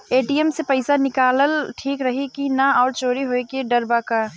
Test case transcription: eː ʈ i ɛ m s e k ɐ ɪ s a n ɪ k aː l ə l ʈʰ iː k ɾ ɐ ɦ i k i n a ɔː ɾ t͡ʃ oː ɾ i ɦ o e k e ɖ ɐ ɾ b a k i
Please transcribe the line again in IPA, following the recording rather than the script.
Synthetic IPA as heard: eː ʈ i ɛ m s e p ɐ ɪ s a n ɪ k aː l ə l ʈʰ iː k ɾ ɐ ɦ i k i n a ɔː ɾ t͡ʃ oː ɾ i ɦ o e k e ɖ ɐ ɾ b a k a

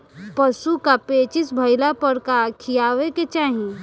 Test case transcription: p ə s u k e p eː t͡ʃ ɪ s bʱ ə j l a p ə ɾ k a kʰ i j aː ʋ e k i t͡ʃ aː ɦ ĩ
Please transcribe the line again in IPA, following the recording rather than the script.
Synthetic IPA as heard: p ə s u k a p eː t͡ʃ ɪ s bʱ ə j l a p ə ɾ k a kʰ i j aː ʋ e k e t͡ʃ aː ɦ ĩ

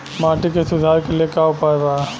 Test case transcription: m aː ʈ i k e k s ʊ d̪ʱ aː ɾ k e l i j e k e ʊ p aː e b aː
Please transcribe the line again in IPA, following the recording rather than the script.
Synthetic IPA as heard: m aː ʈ i k e s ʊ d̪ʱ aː ɾ k e l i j e k a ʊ p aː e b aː

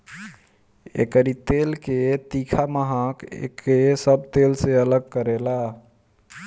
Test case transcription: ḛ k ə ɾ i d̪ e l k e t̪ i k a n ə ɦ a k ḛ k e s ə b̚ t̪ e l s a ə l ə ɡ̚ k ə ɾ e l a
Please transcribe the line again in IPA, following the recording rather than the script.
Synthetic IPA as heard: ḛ k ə ɾ i t̪ e l k e t̪ i kʰ a m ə ɦ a k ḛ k e s ə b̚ t̪ e l s e ə l ə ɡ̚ k ə ɾ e l a

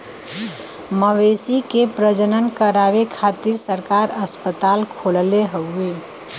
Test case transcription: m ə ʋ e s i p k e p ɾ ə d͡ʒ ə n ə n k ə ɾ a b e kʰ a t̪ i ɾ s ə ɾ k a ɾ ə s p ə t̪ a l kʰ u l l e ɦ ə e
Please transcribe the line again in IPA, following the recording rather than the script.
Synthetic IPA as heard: m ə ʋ e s i k e p ɾ ə d͡ʒ ə n ə n k ə ɾ a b e kʰ a t̪ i ɾ s ə ɾ k a ɾ ə s p ə t̪ a l kʰ o l l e ɦ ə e

